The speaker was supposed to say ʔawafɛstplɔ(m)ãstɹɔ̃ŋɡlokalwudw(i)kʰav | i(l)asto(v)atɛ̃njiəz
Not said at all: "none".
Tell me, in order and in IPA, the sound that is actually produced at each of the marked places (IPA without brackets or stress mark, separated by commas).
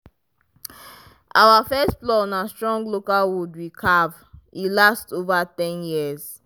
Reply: n, i, l, v